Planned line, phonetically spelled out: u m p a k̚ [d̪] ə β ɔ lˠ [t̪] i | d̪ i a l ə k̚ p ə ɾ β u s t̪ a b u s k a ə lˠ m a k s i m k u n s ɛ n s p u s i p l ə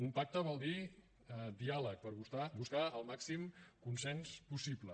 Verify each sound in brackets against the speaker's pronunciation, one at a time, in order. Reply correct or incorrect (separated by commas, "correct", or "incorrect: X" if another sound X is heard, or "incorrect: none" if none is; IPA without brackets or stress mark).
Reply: incorrect: t̪, incorrect: d̪